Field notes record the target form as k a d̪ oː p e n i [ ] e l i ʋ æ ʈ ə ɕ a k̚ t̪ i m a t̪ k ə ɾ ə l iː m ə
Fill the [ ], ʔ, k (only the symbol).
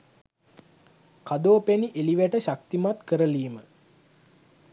ʔ